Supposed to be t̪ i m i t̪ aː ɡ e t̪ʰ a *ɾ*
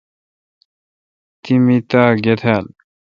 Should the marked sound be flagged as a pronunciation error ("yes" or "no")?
yes